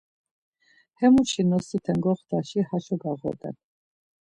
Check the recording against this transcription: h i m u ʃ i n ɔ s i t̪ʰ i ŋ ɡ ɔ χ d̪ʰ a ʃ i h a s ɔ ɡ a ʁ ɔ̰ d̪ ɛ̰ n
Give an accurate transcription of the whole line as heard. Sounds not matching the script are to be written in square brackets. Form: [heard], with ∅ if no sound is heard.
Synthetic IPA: h [ɛ] m u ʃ i n ɔ s i t̪ʰ [ɛ] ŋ ɡ ɔ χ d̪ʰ a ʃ i h a [ʃ] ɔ ɡ a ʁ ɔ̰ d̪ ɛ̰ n